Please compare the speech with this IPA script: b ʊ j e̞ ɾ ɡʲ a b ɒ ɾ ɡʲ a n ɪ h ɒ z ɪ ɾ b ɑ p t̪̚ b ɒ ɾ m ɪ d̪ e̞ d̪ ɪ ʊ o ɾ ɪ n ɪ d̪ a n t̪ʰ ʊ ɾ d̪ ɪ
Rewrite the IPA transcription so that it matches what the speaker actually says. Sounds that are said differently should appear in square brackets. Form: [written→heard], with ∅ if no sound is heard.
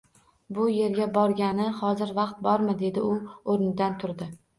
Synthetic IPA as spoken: b ʊ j e̞ ɾ ɡʲ a b ɒ ɾ ɡʲ a n ɪ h ɒ z ɪ ɾ [b→v] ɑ [p→q] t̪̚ b ɒ ɾ m ɪ d̪ e̞ d̪ ɪ ʊ o ɾ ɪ n ɪ d̪ a n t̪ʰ ʊ ɾ d̪ ɪ